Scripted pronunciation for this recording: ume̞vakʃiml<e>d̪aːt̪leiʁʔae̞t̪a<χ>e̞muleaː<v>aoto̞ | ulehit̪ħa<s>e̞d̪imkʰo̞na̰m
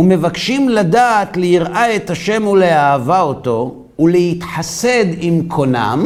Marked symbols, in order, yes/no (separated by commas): no, no, yes, yes